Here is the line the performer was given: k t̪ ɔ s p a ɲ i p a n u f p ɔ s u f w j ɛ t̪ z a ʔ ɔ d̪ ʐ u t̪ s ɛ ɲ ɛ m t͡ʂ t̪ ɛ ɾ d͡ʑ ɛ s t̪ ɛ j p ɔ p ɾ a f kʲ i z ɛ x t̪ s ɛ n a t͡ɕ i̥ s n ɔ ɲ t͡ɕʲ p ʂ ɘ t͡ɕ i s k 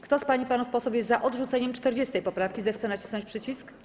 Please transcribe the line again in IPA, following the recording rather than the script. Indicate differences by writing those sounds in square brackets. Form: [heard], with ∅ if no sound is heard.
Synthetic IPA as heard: k t̪ ɔ s p a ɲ i p a n u f p ɔ s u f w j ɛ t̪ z a ʔ ɔ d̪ ʐ u t̪ s ɛ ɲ ɛ m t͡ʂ t̪ ɛ ɾ d͡ʑ ɛ s t̪ ɛ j p ɔ p ɾ a f kʲ i z ɛ x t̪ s ɛ n a t͡ɕ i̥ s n ɔ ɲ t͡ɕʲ p ʂ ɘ t͡ɕ i s k